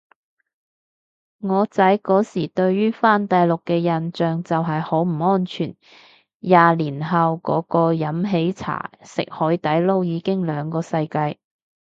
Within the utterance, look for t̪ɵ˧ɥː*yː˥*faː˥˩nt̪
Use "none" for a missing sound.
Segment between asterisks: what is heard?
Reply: yː˥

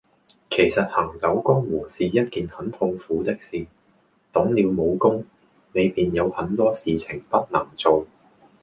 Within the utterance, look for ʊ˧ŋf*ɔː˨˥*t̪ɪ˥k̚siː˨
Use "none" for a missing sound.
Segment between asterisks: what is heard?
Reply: uː˨˥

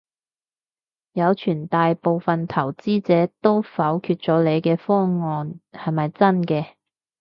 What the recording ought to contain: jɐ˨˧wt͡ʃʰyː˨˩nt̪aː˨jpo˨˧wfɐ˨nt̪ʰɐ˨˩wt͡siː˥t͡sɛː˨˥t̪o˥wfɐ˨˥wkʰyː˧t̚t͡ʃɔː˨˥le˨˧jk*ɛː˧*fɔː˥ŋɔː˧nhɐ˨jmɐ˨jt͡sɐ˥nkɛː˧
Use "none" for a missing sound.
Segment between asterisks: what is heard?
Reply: ɛː˧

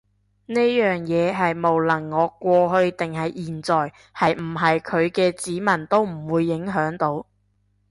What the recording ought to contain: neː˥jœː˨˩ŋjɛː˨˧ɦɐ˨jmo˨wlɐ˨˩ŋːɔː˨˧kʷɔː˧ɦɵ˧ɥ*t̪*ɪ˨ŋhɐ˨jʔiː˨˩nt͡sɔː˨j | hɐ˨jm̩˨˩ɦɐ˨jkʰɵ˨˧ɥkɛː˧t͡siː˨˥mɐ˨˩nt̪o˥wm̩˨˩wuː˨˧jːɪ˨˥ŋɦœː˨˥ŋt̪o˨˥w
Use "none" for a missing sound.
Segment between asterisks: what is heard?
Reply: t̪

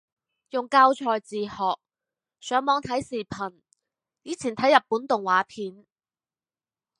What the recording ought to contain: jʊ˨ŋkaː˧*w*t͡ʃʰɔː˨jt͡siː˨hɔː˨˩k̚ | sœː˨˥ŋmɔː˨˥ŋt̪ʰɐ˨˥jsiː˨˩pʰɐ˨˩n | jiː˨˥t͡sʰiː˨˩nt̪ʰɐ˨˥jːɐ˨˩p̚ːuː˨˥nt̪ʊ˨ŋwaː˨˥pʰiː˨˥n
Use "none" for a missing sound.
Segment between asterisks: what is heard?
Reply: w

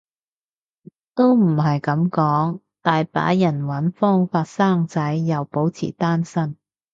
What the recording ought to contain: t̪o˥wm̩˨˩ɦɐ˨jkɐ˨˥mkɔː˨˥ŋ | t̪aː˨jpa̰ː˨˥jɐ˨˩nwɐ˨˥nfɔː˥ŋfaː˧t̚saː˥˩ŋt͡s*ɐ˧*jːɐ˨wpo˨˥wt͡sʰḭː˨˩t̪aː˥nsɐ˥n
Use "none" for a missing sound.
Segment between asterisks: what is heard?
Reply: ɐ˨˥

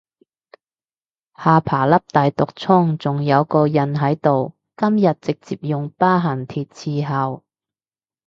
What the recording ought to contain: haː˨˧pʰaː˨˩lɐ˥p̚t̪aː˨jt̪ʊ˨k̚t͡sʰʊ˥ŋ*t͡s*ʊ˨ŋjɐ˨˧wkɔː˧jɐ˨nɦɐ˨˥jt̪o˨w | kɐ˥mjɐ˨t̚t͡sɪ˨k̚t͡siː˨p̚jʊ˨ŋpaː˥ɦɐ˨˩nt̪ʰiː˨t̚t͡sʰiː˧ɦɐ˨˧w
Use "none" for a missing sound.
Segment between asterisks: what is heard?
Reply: t͡s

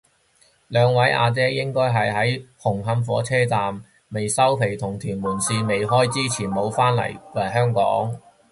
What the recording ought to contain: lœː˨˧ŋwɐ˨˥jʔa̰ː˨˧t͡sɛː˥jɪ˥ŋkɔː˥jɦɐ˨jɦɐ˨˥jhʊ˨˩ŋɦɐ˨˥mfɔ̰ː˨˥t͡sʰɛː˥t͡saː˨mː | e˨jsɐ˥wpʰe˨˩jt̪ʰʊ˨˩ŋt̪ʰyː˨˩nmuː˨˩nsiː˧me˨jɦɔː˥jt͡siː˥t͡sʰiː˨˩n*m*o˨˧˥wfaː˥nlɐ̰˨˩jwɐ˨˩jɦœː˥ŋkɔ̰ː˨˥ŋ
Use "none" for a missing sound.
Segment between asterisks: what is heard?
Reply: m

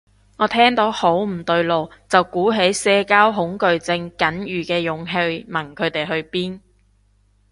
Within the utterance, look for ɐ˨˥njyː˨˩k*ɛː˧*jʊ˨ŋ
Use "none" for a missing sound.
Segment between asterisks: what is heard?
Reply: ɛː˧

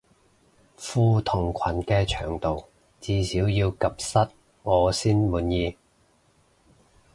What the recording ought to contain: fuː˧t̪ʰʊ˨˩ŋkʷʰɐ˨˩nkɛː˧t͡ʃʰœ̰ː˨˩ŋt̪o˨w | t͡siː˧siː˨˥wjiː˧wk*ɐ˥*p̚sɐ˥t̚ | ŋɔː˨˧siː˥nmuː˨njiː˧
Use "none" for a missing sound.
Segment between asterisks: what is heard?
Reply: ɐ˨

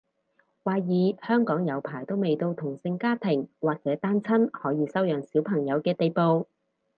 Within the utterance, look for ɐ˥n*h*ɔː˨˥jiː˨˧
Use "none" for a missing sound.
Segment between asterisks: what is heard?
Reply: h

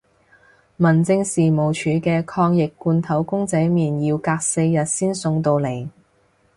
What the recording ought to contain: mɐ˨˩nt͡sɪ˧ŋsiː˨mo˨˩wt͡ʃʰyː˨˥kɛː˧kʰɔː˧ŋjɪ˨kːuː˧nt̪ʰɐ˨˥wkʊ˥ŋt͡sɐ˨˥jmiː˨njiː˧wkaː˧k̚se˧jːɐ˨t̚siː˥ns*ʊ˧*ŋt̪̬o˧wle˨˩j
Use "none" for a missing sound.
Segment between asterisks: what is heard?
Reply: ʊ˧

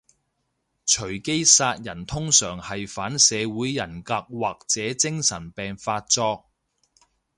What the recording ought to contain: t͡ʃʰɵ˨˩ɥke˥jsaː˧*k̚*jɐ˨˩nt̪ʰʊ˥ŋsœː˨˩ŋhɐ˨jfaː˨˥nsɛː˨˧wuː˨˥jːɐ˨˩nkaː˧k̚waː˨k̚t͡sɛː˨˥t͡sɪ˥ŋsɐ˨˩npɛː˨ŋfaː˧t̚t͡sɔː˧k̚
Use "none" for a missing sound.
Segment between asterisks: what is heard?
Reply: t̚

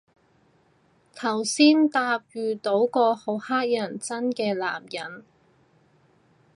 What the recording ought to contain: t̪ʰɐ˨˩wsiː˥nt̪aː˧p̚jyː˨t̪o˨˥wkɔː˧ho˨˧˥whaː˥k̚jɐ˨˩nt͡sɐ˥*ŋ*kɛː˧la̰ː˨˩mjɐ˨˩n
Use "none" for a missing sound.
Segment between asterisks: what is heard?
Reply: n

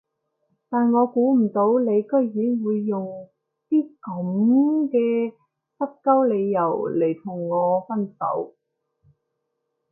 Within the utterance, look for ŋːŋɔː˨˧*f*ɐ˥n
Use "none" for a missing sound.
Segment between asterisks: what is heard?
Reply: f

